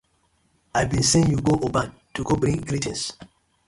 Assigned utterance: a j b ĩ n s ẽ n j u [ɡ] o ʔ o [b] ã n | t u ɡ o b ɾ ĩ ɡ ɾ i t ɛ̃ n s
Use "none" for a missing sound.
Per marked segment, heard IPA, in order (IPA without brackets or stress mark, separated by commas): ɡ, b